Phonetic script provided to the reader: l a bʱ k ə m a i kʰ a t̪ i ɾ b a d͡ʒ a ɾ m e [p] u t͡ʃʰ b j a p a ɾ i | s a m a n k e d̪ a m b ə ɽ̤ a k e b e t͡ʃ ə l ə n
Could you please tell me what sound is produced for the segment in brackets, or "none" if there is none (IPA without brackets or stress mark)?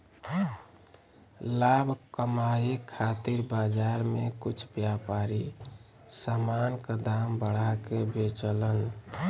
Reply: k